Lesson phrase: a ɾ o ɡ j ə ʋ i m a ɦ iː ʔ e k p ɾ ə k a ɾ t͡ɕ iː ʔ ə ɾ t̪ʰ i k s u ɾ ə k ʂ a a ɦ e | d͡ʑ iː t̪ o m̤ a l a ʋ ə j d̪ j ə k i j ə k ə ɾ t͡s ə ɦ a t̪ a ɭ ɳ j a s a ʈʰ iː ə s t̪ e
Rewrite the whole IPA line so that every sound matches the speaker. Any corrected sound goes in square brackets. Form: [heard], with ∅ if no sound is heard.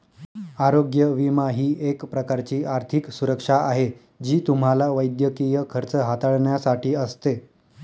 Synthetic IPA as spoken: a ɾ o ɡ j ə ʋ i m a ɦ iː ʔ e k p ɾ ə k a ɾ t͡ɕ iː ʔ [a] ɾ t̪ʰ i k s u ɾ ə k ʂ a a ɦ e | d͡ʑ iː t̪ [u] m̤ a l a ʋ ə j d̪ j ə k i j ə [kʰ] ə ɾ t͡s ə ɦ a t̪ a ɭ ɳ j a s a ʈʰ iː ə s t̪ e